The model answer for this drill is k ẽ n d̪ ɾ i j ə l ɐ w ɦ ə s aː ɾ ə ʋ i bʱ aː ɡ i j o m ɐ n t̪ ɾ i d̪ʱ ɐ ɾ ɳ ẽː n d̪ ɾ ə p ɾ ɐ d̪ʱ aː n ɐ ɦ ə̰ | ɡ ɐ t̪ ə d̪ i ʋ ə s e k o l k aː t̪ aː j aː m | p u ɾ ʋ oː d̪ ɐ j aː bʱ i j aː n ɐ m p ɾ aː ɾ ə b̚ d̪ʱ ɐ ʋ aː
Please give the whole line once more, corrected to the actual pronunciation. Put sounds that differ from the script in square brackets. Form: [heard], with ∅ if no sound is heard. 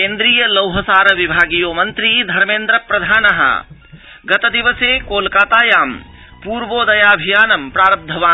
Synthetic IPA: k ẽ n d̪ ɾ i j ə l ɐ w ɦ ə s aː ɾ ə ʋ i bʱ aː ɡ i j o m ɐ n t̪ ɾ i d̪ʱ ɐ ɾ [m] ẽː n d̪ ɾ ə p ɾ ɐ d̪ʱ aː n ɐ ɦ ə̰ | ɡ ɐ t̪ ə d̪ i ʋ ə s e k o l k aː t̪ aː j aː m | p u ɾ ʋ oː d̪ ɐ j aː bʱ i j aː n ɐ m p ɾ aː ɾ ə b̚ d̪ʱ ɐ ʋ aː